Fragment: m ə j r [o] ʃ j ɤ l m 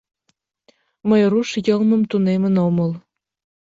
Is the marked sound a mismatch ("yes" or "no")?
yes